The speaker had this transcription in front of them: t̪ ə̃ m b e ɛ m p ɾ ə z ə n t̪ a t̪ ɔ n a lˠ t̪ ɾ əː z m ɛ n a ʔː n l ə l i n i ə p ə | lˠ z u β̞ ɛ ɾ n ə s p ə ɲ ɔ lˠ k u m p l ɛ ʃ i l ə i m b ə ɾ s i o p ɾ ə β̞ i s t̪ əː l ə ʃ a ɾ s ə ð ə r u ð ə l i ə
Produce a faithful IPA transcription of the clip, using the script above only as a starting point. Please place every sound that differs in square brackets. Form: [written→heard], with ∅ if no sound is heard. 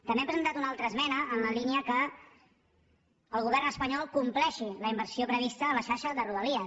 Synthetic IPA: t̪ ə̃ m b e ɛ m p ɾ ə z ə n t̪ a t̪ [ɔ→u] n a lˠ t̪ ɾ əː z m ɛ n [a→ə] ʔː n l ə l i n i ə [p→k] ə | lˠ [z→ɣ] u β̞ ɛ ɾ n ə s p ə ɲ ɔ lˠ k u m p l ɛ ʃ i l ə i m b ə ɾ s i o p ɾ ə β̞ i s t̪ əː l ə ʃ a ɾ [s→ʃ] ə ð ə r u ð ə l i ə